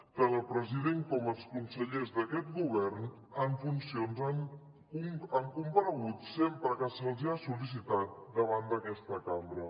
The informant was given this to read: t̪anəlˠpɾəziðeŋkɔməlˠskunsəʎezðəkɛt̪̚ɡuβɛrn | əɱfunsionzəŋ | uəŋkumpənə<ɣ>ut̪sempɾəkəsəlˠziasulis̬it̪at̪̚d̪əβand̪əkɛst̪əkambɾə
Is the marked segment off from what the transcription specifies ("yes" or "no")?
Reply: no